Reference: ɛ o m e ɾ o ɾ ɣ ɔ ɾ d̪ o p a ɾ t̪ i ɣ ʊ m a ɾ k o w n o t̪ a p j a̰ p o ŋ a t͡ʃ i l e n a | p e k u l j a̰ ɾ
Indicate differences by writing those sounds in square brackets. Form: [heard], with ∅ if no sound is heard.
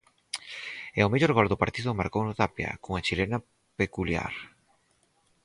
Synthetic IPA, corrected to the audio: ɛ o m e [ʎ] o ɾ ɣ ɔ [l] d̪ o p a ɾ t̪ i [ð] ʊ m a ɾ k o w n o t̪ a p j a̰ [k] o ŋ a t͡ʃ i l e n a | p e k u l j a̰ ɾ